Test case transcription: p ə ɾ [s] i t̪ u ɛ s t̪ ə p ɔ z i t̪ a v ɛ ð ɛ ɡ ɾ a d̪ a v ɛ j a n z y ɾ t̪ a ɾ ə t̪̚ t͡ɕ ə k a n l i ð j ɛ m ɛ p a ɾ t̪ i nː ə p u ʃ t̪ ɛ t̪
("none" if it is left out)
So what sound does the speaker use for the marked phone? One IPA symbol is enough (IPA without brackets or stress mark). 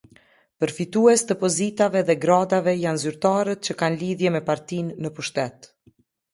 f